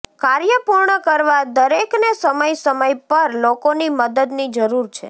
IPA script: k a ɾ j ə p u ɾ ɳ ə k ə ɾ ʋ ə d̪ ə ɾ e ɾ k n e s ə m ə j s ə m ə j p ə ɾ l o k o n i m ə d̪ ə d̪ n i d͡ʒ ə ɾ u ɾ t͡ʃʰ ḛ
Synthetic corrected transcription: k a ɾ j ə p u ɾ ɳ ə k ə ɾ ʋ a d̪ ə ɾ e k n e s ə m ə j s ə m ə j p ə ɾ l o k o n i m ə d̪ ə d̪ n i d͡ʒ ə ɾ u ɾ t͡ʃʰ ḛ